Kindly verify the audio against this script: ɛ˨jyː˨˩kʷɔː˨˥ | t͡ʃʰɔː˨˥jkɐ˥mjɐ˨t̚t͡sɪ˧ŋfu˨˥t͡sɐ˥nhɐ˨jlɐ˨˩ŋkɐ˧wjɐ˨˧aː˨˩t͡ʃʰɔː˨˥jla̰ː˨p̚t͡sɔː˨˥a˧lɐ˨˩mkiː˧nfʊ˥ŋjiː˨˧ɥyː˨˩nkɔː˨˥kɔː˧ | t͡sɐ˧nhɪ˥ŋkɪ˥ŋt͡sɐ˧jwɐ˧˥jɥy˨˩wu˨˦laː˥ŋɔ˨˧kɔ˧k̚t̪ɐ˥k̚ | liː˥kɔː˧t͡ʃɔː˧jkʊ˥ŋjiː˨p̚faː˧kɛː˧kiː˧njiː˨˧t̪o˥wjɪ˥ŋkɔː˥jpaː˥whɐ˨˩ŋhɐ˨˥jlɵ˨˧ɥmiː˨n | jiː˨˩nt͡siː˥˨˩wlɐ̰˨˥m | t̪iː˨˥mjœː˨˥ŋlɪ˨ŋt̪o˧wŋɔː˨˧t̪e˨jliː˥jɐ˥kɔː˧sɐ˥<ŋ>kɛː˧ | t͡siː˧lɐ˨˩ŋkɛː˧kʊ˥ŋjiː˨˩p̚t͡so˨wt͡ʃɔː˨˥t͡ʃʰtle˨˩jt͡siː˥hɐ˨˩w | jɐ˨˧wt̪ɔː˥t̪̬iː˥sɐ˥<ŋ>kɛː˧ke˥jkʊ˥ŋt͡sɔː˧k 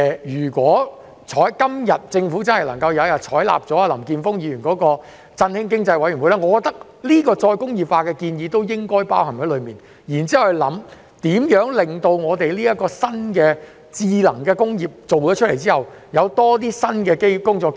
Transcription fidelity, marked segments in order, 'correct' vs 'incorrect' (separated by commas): incorrect, incorrect